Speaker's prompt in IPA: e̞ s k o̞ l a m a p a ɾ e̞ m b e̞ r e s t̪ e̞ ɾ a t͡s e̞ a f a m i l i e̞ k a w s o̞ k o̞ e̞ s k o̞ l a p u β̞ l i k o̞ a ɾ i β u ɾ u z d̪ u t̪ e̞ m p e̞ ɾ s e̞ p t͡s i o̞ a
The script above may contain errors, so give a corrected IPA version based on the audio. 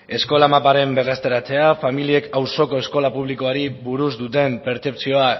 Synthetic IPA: e̞ s k o̞ l a m a p a ɾ e̞ m b e̞ r e s t̪ e̞ ɾ a t͡s e̞ a f a m i l i e̞ k a w s o̞ k o̞ e̞ s k o̞ l a p u β̞ l i k o̞ a ɾ i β u ɾ u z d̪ u t̪ e̞ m p e̞ ɾ t͡s e̞ p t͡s i o̞ a